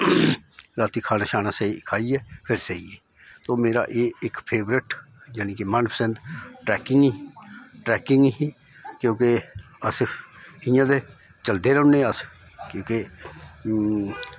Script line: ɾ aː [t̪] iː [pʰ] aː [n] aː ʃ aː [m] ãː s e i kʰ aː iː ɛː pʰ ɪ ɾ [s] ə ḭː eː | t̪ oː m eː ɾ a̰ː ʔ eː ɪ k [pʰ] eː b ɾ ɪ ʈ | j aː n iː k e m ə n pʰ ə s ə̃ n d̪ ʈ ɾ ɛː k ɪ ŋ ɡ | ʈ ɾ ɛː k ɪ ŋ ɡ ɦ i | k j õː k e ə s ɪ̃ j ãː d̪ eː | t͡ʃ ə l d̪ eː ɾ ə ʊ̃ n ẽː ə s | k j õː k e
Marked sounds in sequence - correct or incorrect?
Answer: correct, incorrect: kʰ, correct, incorrect: n, correct, correct

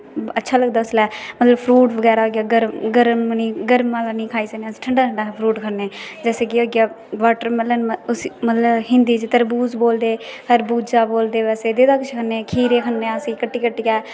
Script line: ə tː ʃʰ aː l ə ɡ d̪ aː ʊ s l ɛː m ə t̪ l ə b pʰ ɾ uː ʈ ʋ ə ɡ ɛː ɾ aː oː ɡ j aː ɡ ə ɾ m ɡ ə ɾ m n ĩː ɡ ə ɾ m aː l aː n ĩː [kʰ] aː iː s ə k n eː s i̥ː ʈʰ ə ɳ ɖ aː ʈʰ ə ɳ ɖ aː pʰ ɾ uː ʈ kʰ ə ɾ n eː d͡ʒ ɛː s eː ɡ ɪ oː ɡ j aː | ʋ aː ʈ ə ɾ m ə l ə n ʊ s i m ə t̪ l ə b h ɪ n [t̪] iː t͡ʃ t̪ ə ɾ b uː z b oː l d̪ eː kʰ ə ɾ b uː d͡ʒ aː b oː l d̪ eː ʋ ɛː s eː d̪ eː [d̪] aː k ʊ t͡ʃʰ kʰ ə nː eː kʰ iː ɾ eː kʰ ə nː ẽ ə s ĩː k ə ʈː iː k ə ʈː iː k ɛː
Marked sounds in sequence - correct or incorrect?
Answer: correct, incorrect: d̪, correct

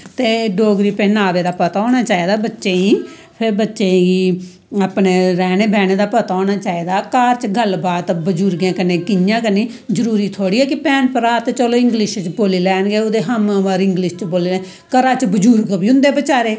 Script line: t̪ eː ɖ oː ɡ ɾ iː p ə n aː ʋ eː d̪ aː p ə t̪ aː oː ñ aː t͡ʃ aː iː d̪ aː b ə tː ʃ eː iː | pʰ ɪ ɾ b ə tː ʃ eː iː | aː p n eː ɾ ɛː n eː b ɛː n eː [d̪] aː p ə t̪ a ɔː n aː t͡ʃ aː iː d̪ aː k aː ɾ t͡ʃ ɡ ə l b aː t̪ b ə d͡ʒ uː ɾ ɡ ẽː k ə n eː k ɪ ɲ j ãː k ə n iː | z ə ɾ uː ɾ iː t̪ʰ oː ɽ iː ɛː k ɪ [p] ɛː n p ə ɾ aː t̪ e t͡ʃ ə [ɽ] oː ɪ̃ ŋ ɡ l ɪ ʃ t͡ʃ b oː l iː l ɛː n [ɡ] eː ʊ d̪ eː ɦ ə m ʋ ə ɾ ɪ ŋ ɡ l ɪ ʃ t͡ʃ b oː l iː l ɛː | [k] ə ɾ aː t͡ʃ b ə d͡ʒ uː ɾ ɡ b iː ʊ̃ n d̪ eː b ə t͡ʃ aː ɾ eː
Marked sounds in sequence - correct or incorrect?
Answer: correct, correct, incorrect: l, correct, correct

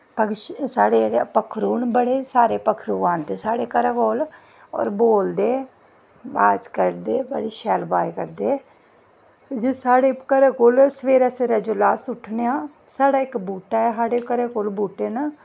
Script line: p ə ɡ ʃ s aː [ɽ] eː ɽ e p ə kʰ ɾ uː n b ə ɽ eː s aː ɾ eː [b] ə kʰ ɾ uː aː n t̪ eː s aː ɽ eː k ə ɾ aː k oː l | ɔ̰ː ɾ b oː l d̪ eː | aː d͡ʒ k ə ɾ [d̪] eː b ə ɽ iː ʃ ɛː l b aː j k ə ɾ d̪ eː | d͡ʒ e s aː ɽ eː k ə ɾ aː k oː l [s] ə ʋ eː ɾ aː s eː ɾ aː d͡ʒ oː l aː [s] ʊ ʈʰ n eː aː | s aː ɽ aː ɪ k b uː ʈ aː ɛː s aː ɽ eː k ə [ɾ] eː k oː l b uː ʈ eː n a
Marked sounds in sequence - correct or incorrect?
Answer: correct, incorrect: p, correct, correct, correct, correct

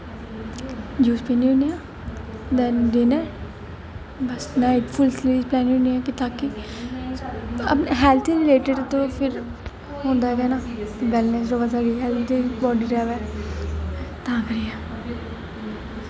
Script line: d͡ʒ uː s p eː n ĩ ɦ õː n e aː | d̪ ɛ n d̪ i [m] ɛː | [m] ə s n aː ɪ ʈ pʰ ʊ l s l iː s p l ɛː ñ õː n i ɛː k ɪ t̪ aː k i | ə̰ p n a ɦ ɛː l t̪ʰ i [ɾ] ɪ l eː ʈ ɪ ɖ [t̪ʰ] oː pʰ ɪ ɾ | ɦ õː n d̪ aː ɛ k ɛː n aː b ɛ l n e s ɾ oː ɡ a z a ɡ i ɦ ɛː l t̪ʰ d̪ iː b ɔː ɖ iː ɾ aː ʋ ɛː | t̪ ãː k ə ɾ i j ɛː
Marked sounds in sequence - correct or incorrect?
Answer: incorrect: n, incorrect: b, correct, incorrect: t̪

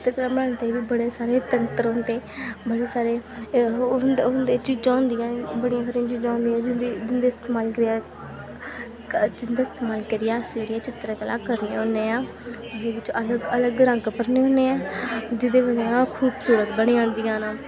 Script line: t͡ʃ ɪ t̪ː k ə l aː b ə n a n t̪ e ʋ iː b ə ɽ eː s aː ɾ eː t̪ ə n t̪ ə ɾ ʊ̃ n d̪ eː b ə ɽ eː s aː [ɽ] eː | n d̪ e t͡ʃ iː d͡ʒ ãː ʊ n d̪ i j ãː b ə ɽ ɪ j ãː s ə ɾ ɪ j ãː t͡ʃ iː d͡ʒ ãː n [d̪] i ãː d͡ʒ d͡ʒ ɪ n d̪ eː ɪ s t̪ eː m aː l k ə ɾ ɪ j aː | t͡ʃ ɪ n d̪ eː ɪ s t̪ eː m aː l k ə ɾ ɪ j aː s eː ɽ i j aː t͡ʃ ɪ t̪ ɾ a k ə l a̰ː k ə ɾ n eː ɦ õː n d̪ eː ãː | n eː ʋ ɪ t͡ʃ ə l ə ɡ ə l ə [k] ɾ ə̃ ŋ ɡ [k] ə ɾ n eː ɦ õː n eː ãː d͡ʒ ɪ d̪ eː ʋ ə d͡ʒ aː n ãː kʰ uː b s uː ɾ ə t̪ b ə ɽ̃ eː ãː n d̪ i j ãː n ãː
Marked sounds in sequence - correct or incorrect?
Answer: incorrect: ɾ, correct, incorrect: ɡ, incorrect: p

